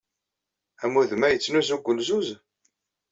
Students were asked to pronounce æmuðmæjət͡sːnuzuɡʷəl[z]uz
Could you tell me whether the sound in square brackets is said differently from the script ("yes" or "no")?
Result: no